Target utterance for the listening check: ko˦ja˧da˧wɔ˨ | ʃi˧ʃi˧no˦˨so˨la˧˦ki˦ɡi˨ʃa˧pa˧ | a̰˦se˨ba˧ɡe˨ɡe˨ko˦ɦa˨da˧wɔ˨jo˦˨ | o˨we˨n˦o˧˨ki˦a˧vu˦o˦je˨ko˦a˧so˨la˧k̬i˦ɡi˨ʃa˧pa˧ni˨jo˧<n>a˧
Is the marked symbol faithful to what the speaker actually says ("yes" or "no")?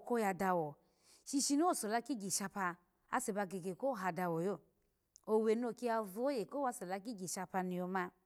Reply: no